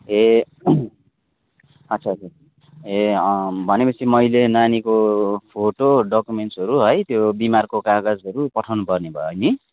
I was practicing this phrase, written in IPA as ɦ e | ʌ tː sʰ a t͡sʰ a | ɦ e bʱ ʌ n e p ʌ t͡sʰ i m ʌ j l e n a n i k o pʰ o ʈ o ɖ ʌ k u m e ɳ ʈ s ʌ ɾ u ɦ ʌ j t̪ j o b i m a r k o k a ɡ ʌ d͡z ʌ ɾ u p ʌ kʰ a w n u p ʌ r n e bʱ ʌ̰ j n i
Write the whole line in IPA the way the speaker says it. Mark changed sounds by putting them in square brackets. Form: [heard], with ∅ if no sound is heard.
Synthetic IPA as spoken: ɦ e | ʌ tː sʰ a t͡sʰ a | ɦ e bʱ ʌ n e p ʌ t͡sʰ i m ʌ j l e n a n i k o pʰ o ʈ o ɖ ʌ k u m e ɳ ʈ s ʌ ɾ u ɦ ʌ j t̪ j o b i m a r k o k a ɡ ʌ d͡z ʌ ɾ u p ʌ [ʈʰ] a w n u p ʌ r n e bʱ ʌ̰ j n i